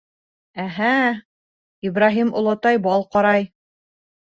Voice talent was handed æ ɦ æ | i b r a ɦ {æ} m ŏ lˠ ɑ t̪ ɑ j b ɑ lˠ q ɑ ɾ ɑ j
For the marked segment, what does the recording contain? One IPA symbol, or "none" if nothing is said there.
i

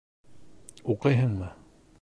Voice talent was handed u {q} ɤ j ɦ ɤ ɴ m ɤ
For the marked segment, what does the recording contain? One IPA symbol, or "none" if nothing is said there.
q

